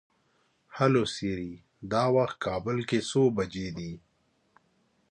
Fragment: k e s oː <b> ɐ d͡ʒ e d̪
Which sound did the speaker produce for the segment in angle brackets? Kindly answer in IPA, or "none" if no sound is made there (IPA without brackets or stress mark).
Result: b